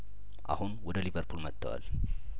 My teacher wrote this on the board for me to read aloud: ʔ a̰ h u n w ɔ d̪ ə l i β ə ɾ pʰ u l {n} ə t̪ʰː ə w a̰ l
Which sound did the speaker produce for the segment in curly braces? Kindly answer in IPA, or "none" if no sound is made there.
m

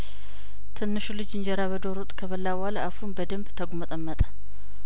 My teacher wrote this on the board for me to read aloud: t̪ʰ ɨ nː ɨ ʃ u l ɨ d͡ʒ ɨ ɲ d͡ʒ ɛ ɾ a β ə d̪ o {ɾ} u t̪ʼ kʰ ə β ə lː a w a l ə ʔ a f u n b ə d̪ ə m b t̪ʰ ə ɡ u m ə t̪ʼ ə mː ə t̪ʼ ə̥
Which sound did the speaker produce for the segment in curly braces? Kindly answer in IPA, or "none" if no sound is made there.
ɾ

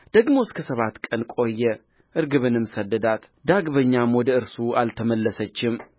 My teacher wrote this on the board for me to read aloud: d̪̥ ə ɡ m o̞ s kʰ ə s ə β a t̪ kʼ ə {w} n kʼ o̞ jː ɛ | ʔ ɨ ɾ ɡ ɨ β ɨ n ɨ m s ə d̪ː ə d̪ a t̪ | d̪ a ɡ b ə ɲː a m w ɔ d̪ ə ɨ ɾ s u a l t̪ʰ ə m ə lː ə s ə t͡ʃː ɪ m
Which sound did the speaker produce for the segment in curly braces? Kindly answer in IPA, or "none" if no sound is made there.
none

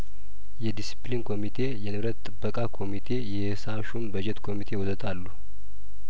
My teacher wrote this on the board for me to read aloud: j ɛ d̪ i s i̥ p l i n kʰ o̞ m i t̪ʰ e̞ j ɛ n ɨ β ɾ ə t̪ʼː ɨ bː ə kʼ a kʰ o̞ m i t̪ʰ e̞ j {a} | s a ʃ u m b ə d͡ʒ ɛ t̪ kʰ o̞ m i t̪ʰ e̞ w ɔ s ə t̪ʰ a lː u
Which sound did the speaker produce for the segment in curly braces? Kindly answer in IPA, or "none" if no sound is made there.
ɛ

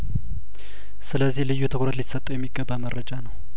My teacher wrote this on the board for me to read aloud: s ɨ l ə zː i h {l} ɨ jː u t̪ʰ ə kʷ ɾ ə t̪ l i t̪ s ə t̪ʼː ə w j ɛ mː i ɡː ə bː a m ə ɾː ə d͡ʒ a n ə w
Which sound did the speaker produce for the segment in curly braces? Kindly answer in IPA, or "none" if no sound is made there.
l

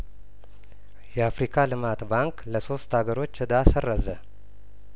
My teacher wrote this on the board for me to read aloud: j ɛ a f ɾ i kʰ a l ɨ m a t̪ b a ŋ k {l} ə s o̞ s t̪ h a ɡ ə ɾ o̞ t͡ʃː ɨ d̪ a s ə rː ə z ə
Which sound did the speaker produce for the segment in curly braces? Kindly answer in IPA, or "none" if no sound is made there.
l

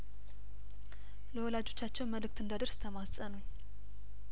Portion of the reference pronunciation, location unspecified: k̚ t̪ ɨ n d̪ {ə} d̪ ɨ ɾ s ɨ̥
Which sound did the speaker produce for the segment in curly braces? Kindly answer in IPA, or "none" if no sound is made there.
a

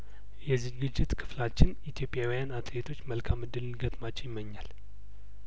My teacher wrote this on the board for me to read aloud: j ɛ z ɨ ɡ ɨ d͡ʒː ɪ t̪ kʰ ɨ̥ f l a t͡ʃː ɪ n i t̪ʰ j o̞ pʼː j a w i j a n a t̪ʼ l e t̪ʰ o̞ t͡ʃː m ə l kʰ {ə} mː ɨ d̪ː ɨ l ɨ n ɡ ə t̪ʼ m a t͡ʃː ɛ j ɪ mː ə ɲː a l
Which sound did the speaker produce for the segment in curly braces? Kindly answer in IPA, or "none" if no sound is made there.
a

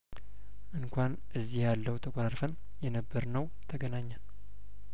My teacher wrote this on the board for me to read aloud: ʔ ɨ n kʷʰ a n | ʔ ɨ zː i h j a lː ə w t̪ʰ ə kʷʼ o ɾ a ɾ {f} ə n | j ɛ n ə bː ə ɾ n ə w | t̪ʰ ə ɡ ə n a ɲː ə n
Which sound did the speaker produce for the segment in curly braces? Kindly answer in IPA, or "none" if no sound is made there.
f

